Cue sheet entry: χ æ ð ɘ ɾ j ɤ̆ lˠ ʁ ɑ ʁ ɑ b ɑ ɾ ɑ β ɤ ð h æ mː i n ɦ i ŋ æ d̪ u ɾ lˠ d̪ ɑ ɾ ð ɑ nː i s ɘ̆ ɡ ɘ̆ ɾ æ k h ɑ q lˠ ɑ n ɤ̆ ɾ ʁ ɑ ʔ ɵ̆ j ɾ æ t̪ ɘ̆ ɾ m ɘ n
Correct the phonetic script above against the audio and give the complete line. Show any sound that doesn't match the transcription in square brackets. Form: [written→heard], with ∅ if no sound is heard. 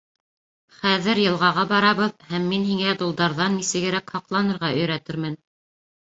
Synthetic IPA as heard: χ æ ð ɘ ɾ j ɤ̆ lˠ ʁ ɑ ʁ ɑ b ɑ ɾ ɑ β ɤ ð h æ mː i n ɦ i ŋ æ d̪ u [ɾ→∅] lˠ d̪ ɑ ɾ ð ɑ nː i s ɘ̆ ɡ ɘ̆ ɾ æ k h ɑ q lˠ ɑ n ɤ̆ ɾ ʁ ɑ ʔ ɵ̆ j ɾ æ t̪ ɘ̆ ɾ m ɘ n